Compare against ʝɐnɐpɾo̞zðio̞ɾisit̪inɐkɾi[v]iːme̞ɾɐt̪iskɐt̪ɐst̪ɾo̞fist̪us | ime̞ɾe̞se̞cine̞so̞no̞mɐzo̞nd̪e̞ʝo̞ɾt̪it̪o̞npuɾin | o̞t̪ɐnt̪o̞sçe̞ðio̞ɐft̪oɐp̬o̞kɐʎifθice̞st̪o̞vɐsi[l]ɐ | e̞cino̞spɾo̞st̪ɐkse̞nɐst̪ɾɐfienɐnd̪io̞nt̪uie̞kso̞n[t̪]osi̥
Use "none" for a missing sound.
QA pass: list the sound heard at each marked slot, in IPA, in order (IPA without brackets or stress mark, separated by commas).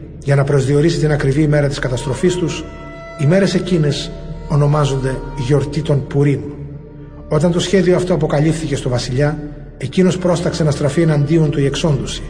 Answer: v, ʎ, d̪